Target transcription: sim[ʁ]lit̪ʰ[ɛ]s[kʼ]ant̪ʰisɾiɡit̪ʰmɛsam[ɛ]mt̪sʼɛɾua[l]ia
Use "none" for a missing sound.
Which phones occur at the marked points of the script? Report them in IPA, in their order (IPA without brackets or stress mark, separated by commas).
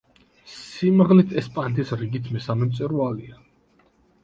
ʁ, ɛ, pʼ, ɛ, l